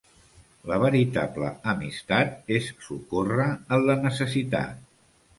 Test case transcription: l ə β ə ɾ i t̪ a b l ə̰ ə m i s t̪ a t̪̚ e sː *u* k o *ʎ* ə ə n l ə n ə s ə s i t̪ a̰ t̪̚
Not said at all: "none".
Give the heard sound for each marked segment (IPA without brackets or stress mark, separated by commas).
u, r